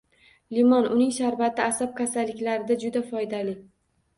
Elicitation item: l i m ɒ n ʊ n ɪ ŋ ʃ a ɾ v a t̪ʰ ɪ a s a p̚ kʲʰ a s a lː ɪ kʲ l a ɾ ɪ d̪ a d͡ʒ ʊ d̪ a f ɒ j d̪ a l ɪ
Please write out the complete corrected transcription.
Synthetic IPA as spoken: l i m ɒ n ʊ n ɪ ŋ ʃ a ɾ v a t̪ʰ ɪ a s a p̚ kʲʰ a s a lː ɪ kʲ l a ɾ ɪ d̪ a d͡ʒ ʊ d̪ a f ɒ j d̪ a l ɪ